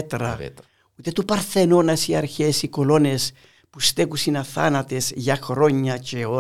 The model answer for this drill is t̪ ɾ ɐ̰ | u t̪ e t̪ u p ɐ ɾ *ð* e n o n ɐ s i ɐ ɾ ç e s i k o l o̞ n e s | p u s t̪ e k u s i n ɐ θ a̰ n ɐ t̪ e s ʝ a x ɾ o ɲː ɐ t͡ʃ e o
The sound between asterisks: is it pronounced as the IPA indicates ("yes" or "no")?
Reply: no